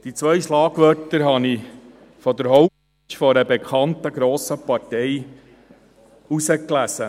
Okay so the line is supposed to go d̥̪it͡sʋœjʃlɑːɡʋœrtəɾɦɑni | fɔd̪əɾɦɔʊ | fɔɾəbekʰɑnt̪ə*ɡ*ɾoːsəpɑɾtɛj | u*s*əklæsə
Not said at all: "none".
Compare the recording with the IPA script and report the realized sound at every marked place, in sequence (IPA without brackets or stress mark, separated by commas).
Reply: ɡ, s